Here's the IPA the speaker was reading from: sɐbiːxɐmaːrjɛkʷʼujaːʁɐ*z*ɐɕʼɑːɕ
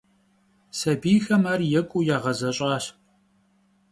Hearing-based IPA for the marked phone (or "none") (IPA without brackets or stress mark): z